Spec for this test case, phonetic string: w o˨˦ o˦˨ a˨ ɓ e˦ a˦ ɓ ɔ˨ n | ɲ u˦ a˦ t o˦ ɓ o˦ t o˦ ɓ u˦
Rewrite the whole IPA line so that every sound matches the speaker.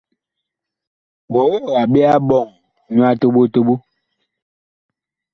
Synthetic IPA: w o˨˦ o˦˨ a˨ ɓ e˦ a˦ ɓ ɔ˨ ŋ | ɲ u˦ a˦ t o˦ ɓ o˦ t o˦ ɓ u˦